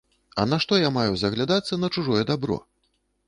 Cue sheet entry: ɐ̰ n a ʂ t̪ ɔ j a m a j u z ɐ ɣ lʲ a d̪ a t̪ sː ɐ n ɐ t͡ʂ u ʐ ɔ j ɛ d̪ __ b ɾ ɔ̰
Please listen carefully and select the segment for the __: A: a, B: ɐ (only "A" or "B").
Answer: A